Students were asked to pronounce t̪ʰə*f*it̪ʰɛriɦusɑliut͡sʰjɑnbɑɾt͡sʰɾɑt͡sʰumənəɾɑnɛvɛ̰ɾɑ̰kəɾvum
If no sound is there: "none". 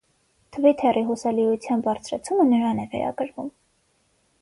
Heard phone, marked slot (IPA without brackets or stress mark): v